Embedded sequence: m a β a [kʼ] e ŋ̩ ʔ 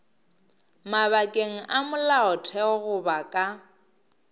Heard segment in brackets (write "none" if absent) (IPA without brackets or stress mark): kʼ